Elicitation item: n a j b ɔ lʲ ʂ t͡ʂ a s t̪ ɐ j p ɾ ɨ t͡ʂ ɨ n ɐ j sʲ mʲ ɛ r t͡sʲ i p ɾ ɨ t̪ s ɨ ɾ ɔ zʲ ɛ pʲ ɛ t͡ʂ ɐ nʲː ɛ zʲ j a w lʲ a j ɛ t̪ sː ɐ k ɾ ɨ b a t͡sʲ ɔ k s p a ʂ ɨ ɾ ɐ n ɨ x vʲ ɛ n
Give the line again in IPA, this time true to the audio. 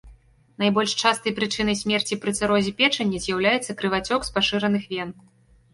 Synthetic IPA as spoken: n a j b ɔ lʲ ʂ t͡ʂ a s t̪ ɐ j p ɾ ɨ t͡ʂ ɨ n ɐ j sʲ mʲ ɛ r t͡sʲ i p ɾ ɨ t̪ s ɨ ɾ ɔ zʲ ɛ pʲ ɛ t͡ʂ ɐ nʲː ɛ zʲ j a w lʲ a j ɛ t̪ sː ɐ k ɾ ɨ v a t͡sʲ ɔ k s p a ʂ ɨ ɾ ɐ n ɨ x vʲ ɛ n